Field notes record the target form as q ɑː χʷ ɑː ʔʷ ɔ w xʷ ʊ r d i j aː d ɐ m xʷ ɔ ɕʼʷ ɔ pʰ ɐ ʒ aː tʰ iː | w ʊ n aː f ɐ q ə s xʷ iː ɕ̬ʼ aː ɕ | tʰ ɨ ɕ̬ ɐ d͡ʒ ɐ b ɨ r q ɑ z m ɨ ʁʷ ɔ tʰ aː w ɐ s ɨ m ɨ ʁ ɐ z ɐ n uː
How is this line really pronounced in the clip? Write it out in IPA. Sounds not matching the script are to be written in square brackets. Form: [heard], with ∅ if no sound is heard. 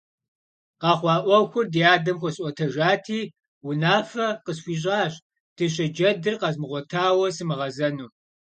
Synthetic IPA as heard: q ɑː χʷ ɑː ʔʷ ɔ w xʷ ʊ r d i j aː d ɐ m xʷ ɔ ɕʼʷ ɔ [tʰ] ɐ ʒ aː tʰ iː | w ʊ n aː f ɐ q ə s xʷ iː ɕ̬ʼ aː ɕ | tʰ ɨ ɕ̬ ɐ d͡ʒ ɐ [d] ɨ r q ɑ z m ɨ ʁʷ ɔ tʰ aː w ɐ s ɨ m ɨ ʁ ɐ z ɐ n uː